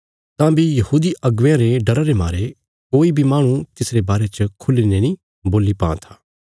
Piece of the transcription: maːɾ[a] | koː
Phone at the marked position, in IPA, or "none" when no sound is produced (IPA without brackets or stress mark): e